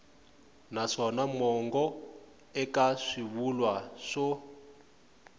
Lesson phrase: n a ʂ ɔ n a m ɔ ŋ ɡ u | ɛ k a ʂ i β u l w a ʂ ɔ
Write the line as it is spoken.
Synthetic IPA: n a ʂ ɔ n a m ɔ ŋ ɡ ɔ | ɛ k a ʂ i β u l w a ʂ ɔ